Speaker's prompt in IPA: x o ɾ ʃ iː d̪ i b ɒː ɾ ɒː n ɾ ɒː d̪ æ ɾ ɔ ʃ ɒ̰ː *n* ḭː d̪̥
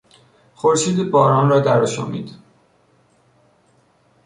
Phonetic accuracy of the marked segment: incorrect: m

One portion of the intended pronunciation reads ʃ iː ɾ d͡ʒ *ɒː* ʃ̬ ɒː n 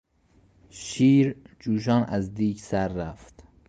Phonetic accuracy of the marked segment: incorrect: uː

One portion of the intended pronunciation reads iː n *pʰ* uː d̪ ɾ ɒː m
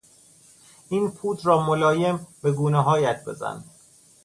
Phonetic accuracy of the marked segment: correct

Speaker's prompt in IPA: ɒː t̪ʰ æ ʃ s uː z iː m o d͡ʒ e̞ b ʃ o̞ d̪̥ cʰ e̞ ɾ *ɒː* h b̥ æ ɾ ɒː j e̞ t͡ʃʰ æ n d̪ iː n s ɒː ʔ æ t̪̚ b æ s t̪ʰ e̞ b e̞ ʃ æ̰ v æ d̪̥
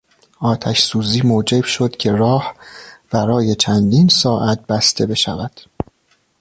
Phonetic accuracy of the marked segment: correct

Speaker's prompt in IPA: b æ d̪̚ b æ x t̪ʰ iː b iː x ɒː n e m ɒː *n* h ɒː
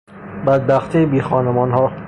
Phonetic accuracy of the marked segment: correct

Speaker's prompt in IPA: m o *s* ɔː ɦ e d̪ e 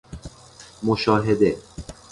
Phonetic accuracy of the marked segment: incorrect: ʃ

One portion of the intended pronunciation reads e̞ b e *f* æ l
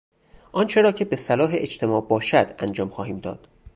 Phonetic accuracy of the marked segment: incorrect: s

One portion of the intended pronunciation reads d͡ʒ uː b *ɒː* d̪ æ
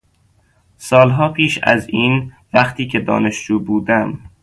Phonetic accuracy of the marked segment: incorrect: uː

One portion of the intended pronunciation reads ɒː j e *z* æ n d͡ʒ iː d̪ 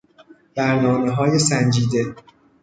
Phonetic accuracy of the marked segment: incorrect: s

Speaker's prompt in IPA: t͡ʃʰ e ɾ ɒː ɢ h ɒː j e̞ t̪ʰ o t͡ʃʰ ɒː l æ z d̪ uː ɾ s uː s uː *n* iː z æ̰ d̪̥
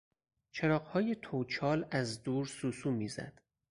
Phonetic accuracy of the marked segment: incorrect: m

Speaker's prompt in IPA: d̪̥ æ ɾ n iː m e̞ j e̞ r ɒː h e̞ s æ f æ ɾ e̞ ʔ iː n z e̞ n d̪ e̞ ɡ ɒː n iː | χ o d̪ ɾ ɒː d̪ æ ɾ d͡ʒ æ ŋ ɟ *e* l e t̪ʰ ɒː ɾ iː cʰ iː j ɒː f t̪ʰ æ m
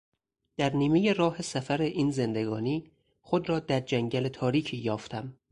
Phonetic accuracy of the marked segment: incorrect: æ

